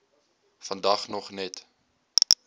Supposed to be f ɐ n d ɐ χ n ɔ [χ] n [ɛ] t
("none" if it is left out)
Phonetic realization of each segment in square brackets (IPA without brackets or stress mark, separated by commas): χ, ɛ